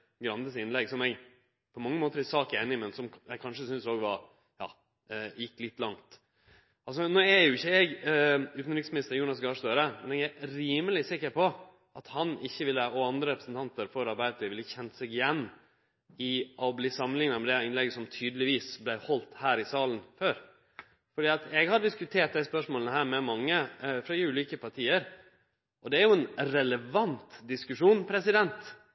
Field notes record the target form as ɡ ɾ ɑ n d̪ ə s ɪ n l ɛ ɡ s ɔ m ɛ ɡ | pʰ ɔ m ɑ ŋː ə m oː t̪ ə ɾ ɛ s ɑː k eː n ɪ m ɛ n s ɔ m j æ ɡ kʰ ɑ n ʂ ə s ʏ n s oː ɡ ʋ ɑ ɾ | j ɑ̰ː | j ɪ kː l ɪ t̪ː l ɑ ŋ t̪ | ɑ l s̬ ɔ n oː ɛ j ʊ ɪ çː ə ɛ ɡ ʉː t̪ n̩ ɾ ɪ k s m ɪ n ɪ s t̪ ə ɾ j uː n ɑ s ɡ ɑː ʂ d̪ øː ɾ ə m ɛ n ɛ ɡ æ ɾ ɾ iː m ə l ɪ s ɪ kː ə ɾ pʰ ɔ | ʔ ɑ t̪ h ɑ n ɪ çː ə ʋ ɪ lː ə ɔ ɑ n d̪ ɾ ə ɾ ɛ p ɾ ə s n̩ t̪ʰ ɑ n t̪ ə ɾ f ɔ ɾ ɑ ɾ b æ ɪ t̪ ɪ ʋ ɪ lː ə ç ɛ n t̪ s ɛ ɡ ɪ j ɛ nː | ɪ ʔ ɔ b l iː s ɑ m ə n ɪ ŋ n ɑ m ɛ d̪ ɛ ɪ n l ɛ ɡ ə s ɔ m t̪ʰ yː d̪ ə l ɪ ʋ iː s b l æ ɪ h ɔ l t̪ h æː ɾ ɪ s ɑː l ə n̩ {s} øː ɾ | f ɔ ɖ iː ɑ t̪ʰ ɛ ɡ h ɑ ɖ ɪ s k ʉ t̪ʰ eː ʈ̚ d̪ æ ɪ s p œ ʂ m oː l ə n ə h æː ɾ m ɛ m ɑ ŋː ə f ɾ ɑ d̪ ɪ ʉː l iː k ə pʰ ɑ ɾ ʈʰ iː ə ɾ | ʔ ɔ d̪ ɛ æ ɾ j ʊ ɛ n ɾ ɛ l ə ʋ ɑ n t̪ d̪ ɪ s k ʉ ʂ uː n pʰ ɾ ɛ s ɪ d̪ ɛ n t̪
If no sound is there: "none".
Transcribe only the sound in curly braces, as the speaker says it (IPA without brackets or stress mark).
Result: f